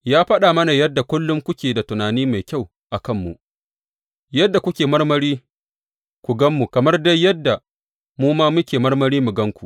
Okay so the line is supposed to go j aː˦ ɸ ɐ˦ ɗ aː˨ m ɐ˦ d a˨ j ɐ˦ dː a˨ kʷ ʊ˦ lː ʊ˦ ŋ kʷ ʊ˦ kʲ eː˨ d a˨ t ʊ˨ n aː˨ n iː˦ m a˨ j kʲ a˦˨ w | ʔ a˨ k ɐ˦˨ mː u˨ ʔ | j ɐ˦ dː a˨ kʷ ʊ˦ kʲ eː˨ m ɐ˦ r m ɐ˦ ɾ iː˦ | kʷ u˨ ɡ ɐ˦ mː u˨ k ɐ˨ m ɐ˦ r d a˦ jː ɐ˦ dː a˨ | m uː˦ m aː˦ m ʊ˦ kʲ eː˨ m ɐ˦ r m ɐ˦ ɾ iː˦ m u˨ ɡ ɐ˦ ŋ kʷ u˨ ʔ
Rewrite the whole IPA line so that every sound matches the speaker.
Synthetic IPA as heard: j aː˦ ɸ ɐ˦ ɗ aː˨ m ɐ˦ n a˨ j ɐ˦ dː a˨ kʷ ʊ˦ lː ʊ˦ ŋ kʷ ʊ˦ kʲ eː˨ d a˨ t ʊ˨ n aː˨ n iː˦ m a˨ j kʲ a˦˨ w | ʔ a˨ k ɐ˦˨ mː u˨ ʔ | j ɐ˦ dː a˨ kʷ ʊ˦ kʲ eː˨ m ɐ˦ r m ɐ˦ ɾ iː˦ | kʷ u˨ ɡ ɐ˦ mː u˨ k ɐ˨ m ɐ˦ r d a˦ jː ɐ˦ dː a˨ | m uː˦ m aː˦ m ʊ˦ kʲ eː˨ m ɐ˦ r m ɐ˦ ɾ iː˦ m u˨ ɡ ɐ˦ ŋ kʷ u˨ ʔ